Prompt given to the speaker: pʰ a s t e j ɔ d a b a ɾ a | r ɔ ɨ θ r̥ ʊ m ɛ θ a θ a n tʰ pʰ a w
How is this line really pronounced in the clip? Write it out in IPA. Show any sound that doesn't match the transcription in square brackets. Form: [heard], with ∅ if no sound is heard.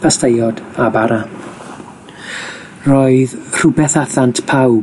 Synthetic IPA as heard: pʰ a s t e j ɔ d a b a ɾ a | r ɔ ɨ [ð] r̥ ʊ [b] ɛ θ a θ a n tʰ pʰ a w